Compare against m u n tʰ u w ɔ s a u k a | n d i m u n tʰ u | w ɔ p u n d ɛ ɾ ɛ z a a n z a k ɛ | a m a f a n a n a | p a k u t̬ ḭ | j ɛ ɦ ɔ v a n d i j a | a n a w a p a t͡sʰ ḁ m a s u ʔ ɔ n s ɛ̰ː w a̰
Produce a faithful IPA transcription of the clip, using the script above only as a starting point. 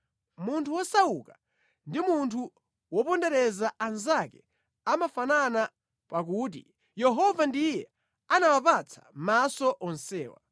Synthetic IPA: m u n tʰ u w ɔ s a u k a | n d i m u n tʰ u | w ɔ p ɔ n d ɛ ɾ ɛ z a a n z a k ɛ | a m a f a n a n a | p a k u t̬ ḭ | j ɛ ɦ ɔ v a n d i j ɛ | a n a w a p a t͡sʰ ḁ m a s ɔ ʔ ɔ n s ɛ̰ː w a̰